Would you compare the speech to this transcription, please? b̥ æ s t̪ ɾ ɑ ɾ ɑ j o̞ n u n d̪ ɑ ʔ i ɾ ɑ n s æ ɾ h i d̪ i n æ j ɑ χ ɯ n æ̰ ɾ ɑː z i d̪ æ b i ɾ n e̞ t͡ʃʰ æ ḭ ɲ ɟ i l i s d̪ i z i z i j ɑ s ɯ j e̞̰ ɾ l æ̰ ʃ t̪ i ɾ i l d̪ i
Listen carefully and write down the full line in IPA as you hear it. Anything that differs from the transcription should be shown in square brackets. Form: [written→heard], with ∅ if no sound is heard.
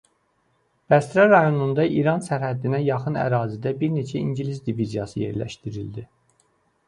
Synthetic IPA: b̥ æ s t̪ ɾ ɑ ɾ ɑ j o̞ n u n d̪ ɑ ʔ i ɾ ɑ n s æ ɾ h [i→æ] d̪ i n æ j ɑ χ ɯ n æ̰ ɾ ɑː z i d̪ æ b i ɾ n e̞ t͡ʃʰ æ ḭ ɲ ɟ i l i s d̪ i [z→v] i z i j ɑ s ɯ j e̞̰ ɾ l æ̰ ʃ t̪ i ɾ i l d̪ i